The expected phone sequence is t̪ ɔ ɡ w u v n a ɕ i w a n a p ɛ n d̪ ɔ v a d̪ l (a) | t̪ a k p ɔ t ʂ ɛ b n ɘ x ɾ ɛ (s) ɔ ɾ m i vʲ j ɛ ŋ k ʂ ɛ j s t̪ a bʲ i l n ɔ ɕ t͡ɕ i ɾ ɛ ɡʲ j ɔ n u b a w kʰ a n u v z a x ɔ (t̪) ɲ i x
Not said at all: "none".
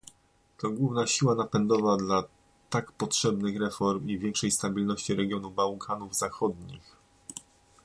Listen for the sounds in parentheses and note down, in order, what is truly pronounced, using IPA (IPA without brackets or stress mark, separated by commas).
a, f, d̪